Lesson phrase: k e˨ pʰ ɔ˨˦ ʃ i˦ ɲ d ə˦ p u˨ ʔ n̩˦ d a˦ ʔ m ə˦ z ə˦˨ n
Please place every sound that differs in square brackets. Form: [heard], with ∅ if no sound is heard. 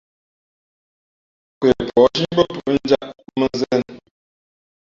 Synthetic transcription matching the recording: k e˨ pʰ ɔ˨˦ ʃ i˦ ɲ [b] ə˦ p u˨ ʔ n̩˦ [d͡ʒ] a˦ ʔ m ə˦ z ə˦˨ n